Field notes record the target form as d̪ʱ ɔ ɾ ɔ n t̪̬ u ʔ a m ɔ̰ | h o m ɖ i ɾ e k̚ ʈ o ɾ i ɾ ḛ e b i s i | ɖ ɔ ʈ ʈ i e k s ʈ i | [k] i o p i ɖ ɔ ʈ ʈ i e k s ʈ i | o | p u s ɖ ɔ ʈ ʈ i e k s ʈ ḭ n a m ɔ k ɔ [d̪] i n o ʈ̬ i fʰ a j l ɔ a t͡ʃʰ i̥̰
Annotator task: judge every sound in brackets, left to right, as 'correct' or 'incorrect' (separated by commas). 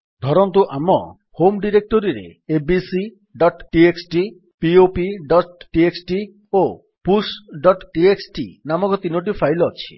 incorrect, incorrect